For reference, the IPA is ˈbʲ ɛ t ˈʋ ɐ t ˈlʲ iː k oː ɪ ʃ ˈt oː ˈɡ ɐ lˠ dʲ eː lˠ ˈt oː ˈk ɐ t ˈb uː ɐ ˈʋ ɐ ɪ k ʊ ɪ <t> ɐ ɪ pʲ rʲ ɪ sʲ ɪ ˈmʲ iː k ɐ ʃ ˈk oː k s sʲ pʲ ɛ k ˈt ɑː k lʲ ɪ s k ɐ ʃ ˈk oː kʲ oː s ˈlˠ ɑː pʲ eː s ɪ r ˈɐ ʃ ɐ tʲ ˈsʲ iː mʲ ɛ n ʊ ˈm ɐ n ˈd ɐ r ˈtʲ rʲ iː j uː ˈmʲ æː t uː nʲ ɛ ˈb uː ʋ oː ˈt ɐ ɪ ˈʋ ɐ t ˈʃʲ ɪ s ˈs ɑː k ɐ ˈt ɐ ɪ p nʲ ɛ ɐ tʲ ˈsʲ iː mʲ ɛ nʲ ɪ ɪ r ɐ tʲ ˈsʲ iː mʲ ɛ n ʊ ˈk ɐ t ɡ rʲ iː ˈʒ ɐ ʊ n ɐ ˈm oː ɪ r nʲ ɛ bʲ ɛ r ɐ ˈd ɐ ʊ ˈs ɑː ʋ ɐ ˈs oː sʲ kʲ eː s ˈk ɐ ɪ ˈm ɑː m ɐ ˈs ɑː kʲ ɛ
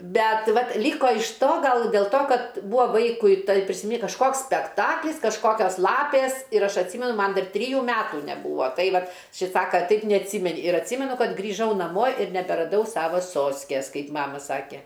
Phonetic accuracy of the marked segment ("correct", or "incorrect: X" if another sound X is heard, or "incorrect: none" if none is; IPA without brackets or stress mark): correct